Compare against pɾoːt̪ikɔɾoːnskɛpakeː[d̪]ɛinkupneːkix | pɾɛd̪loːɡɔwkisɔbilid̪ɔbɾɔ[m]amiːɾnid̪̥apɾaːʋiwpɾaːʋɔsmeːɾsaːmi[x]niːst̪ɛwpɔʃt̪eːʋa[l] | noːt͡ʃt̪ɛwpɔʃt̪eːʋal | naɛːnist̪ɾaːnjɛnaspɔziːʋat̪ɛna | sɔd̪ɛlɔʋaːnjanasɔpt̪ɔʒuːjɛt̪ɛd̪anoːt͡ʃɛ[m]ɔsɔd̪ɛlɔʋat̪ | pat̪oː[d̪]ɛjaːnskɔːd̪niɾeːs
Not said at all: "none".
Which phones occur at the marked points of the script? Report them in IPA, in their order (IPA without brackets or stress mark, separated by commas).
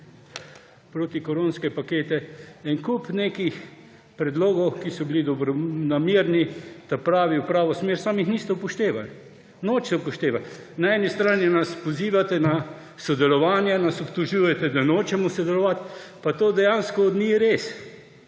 t̪, n, x, l, m, d̪